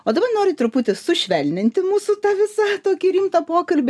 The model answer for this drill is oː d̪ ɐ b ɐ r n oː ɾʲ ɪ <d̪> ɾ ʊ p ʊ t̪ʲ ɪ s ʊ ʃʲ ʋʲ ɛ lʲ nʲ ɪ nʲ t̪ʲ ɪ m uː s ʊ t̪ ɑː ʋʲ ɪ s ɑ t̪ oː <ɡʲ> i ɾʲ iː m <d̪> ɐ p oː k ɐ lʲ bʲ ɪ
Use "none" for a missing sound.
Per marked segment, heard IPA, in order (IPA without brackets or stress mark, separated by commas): t̪, kʲ, t̪